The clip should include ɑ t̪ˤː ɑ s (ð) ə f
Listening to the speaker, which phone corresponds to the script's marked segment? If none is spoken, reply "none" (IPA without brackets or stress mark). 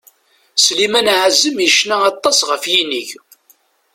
ʁ